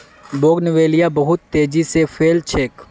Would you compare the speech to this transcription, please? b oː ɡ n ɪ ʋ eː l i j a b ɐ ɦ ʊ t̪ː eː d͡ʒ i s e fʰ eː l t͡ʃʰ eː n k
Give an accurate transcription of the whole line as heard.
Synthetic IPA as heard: b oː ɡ n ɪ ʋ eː l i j a b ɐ ɦ ʊ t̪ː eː d͡ʒ i s e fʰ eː l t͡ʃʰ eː k